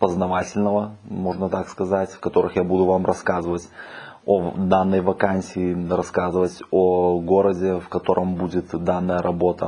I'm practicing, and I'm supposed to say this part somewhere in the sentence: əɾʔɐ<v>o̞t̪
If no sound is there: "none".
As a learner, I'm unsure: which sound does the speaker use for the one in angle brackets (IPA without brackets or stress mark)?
b